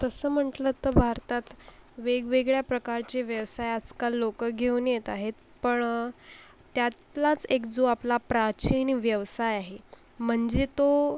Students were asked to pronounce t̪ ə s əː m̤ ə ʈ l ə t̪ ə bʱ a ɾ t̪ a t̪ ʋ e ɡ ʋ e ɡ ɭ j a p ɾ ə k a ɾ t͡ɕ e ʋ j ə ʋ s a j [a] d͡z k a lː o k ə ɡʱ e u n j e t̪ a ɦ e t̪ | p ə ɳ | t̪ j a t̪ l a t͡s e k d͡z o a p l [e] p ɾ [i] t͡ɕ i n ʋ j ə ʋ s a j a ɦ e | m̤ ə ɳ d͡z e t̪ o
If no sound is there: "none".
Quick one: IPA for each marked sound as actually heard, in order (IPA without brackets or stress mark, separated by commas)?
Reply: a, a, a